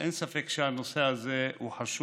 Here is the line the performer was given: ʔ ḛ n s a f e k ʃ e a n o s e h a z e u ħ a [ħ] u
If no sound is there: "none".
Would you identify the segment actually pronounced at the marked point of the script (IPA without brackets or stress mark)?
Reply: ʃ